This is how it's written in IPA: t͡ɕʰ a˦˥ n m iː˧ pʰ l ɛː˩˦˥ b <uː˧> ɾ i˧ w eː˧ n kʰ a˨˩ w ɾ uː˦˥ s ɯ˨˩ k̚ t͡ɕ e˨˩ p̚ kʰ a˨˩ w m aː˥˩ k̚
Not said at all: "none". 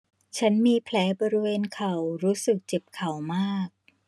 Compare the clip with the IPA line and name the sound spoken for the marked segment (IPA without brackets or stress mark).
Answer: ɔː˧